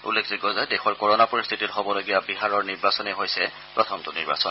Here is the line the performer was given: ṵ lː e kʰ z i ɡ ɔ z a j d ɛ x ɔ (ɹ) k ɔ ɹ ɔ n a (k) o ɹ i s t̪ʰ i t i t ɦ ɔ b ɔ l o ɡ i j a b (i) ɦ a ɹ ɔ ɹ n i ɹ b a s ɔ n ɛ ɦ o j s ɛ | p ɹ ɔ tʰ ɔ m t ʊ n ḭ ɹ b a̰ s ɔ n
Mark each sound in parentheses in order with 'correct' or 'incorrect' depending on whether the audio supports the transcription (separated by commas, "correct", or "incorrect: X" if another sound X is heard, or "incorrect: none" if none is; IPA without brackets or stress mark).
correct, incorrect: p, correct